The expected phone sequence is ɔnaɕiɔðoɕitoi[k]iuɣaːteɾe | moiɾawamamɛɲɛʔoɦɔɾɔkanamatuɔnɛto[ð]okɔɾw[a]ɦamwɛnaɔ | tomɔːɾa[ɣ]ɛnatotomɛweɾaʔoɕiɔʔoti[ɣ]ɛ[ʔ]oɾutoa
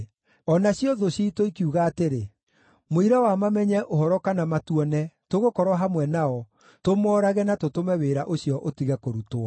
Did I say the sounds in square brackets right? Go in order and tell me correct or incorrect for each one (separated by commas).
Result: correct, incorrect, correct, correct, correct, incorrect